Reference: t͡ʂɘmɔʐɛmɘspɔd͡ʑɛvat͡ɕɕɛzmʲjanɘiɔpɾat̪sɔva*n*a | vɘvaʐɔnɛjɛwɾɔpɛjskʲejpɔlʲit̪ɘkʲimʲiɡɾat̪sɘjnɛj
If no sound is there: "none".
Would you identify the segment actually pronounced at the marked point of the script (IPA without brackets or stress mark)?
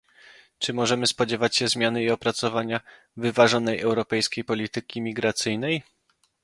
ɲ